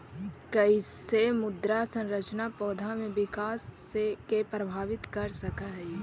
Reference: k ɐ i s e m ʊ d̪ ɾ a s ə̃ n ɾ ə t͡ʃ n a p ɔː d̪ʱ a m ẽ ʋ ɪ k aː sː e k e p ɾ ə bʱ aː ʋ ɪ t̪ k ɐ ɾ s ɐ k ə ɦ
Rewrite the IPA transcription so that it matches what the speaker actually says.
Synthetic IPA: k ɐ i s e m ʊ d̪ ɾ a s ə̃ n ɾ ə t͡ʃ n a p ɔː d̪ʱ a m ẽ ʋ ɪ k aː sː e k e p ɾ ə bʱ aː ʋ ɪ t̪ k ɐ ɾ s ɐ k a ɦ